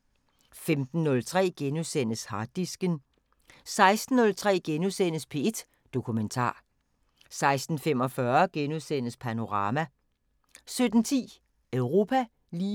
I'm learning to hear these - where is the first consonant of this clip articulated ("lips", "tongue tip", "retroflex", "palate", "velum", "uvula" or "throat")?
lips